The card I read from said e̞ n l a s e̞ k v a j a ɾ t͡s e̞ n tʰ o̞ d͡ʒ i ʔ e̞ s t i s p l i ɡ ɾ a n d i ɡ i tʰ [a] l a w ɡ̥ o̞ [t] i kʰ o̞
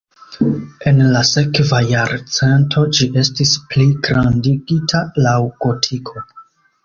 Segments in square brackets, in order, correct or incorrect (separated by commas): correct, incorrect